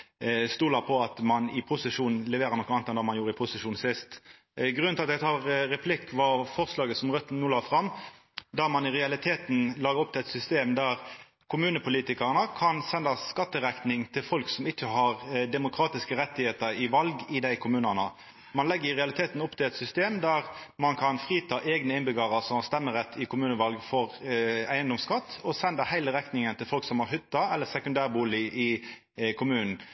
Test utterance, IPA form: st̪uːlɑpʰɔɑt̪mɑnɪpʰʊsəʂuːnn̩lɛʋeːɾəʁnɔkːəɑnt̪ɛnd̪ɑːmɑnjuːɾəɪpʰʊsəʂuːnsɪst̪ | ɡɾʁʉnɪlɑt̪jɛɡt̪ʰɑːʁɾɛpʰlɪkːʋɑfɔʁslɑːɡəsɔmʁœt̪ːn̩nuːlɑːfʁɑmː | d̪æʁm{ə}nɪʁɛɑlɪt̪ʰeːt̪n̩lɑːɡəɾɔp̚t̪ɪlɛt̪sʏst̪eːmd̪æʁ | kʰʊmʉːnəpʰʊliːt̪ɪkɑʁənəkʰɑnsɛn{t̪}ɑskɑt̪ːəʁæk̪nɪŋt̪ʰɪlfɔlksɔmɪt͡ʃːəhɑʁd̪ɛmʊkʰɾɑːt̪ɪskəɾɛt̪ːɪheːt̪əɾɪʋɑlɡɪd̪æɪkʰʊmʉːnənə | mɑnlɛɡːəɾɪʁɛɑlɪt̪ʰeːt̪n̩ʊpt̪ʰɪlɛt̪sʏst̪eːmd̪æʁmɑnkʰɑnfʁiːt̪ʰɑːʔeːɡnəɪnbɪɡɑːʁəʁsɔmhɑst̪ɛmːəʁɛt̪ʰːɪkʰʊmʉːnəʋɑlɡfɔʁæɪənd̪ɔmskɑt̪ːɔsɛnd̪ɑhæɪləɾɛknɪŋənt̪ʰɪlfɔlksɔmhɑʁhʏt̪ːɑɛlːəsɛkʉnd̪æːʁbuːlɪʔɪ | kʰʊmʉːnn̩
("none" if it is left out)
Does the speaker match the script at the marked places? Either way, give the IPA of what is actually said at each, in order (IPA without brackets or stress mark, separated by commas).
ɑ, d̪